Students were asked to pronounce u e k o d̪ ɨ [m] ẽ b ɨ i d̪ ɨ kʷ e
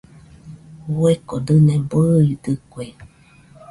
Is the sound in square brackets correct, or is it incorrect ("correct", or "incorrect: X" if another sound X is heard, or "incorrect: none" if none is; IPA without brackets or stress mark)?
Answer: incorrect: n